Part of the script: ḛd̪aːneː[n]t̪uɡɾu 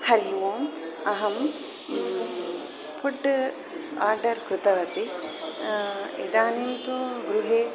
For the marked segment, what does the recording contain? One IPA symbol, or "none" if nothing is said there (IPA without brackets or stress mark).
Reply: m